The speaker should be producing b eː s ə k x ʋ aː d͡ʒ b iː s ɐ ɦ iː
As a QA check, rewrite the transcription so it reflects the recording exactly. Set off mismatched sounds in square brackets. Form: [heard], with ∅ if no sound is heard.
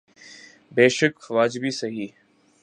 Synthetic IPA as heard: b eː [ʃ] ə k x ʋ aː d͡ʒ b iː s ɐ ɦ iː